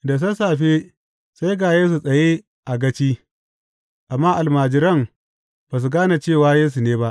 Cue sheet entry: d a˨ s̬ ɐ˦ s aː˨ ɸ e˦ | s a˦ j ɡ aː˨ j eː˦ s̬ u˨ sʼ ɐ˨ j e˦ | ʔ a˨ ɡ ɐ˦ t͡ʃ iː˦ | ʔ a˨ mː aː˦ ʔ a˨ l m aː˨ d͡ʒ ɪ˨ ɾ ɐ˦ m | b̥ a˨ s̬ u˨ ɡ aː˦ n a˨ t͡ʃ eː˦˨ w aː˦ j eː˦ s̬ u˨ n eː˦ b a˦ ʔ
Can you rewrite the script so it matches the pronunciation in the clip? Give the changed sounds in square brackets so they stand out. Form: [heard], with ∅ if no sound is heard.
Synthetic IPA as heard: d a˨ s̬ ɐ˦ s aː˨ ɸ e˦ | s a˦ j ɡ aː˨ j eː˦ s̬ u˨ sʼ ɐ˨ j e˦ | ʔ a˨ ɡ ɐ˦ t͡ʃ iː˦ | ʔ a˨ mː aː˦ ʔ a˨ l m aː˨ d͡ʒ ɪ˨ ɾ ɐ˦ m | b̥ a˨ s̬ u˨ ɡ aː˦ n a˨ t͡ʃ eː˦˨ w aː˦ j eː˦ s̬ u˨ n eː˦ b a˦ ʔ